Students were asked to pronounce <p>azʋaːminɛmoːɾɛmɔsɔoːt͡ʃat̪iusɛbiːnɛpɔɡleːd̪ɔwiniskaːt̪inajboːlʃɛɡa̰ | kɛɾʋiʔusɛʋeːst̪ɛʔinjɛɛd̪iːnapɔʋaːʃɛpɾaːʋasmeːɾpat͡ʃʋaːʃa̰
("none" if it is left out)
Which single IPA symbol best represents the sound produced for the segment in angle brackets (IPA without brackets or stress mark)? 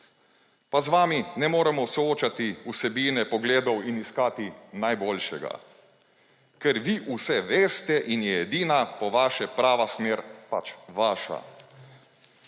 p